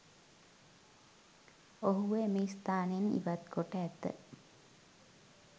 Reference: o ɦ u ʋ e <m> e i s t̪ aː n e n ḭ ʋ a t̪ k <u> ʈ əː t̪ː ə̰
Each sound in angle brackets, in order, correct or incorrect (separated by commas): correct, incorrect